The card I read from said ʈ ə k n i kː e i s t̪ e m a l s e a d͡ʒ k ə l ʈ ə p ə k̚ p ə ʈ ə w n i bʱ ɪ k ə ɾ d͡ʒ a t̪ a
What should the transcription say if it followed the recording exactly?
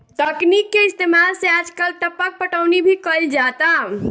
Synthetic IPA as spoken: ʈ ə k n i kː e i s t̪ e m a l s e a d͡ʒ k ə l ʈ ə p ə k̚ p ə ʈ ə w n i bʱ i k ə l d͡ʒ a t̪ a